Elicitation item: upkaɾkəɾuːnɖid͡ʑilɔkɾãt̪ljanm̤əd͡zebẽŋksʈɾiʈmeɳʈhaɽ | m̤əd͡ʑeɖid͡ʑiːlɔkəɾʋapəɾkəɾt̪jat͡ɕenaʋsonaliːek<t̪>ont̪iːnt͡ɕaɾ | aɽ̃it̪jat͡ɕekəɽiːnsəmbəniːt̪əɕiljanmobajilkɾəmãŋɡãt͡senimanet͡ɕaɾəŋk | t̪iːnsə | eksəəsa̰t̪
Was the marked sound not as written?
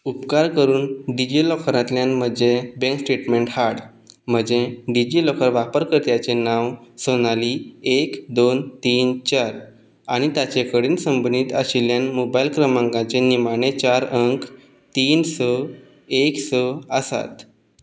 yes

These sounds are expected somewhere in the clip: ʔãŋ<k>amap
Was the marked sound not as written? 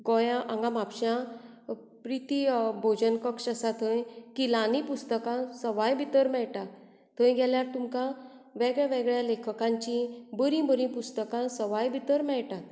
yes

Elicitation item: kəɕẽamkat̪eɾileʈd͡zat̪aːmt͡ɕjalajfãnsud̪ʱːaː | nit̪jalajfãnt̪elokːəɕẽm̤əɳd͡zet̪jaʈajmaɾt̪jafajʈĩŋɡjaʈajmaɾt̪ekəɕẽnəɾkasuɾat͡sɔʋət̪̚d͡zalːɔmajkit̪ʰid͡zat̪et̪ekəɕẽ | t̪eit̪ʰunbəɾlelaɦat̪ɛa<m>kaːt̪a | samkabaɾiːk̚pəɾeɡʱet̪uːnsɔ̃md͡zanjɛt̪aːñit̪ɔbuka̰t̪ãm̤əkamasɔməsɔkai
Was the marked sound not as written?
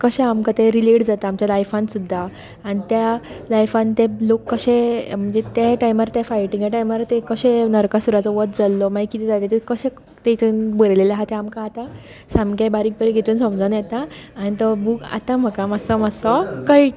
no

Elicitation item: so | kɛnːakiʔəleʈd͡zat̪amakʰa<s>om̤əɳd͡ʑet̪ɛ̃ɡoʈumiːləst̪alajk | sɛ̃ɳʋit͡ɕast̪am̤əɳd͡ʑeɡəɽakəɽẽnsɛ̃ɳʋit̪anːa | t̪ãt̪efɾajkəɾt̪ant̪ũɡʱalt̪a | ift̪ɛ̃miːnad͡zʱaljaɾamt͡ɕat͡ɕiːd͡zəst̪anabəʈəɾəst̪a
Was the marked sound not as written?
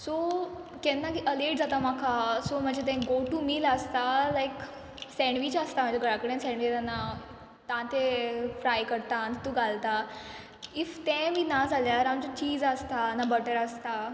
no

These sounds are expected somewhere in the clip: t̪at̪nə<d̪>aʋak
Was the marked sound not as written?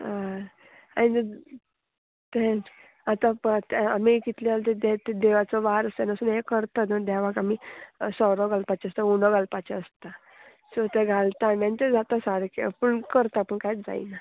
no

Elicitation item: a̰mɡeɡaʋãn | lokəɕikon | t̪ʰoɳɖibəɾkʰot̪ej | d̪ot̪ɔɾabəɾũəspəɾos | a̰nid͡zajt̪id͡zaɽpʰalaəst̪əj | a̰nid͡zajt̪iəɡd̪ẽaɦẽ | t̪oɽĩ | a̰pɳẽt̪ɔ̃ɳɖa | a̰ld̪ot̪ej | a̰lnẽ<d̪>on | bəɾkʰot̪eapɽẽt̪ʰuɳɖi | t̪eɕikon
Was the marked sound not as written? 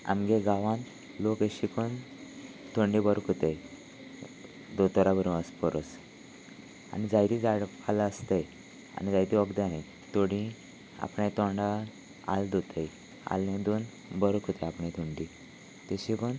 no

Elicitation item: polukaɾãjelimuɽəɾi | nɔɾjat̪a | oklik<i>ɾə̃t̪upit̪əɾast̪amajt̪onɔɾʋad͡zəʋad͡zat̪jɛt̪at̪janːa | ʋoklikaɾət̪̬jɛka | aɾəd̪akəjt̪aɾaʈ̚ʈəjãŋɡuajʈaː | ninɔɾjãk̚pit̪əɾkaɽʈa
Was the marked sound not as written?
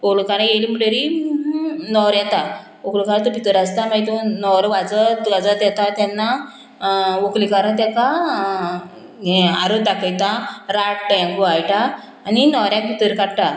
yes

